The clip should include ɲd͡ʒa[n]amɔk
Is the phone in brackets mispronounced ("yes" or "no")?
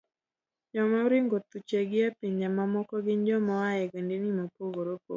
yes